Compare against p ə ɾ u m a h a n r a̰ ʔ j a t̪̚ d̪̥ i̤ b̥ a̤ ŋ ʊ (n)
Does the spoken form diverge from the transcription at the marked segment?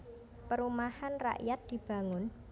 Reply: no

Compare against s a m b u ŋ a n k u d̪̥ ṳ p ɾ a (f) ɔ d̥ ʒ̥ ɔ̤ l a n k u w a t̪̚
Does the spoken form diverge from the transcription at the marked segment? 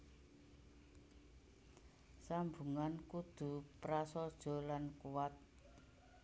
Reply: yes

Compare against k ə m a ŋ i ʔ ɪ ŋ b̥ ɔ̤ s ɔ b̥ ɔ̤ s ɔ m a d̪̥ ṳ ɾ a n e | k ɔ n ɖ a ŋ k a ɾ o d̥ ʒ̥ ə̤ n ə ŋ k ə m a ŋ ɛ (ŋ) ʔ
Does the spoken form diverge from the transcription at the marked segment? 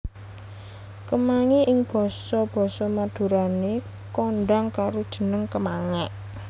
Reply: yes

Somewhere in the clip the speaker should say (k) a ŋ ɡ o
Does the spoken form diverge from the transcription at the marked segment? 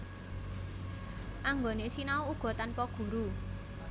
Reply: yes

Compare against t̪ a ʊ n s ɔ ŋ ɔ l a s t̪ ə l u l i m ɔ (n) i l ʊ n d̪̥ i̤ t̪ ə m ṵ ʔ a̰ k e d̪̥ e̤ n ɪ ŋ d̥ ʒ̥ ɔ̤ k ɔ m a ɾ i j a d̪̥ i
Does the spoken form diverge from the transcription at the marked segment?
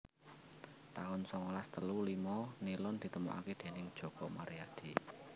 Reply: no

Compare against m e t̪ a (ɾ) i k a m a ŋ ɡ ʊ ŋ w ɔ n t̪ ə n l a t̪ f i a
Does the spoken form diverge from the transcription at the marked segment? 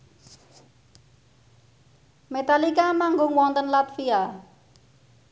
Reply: yes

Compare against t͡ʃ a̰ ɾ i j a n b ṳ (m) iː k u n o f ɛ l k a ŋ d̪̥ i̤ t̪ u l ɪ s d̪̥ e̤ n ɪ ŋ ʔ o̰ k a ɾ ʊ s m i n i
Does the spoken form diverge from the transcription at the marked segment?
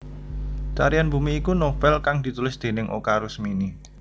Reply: no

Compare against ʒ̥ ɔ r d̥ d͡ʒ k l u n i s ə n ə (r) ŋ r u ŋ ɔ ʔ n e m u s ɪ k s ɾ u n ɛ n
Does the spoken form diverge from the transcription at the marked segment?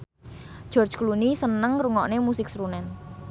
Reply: yes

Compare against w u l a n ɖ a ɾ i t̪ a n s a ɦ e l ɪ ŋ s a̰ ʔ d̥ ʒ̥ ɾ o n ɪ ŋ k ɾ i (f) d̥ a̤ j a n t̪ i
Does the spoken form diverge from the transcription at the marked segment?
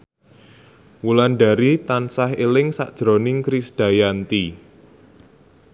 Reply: yes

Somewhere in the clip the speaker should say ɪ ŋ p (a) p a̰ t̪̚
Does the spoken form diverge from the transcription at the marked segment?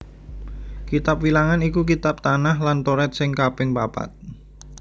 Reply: no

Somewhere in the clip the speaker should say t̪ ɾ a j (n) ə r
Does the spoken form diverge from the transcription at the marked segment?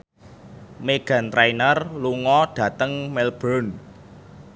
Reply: no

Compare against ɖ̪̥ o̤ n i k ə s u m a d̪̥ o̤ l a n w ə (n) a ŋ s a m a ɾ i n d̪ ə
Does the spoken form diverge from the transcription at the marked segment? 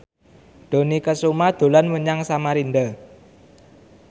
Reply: yes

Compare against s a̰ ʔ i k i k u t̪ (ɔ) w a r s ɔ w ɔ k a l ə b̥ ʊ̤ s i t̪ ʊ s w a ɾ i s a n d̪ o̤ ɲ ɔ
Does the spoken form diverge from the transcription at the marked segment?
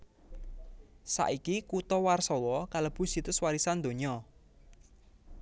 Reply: no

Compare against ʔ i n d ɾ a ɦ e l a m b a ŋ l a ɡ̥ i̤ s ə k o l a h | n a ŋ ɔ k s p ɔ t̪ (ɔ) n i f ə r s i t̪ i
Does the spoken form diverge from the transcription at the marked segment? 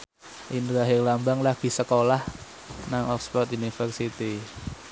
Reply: yes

